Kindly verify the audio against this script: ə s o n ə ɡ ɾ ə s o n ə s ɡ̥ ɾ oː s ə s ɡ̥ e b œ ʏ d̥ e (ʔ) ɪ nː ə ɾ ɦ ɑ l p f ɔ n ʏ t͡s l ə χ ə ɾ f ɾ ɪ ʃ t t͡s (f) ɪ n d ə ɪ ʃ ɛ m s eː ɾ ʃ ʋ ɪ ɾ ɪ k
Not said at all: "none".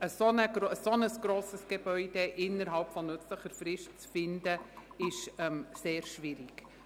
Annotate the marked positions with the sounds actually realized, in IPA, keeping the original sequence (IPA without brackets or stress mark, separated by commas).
ʔ, f